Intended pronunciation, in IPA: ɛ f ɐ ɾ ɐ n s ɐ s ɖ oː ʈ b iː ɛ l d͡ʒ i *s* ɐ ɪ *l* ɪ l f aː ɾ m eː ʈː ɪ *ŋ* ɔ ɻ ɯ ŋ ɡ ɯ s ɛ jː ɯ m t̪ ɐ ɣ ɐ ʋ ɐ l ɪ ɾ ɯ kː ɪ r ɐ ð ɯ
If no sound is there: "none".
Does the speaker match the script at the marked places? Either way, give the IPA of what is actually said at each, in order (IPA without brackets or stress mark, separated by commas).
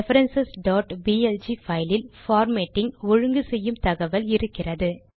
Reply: f, l, ŋ